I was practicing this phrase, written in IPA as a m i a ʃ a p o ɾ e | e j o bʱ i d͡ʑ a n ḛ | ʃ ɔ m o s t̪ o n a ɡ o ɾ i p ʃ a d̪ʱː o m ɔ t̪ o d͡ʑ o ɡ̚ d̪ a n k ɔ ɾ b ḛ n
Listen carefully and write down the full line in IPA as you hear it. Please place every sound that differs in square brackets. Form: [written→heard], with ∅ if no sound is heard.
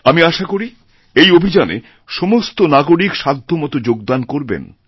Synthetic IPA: a m i a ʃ a [p→k] o ɾ [e→i] | e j o bʱ i d͡ʑ a n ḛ | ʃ ɔ m o s t̪ o n a ɡ o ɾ i [p→k] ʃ a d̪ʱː o m ɔ t̪ o d͡ʑ o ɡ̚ d̪ a n k [ɔ→o] ɾ b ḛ n